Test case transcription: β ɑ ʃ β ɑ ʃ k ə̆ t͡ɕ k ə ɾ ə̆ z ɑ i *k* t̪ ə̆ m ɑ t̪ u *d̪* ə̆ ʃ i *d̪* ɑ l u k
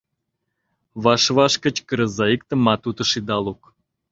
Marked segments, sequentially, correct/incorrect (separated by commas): correct, incorrect, correct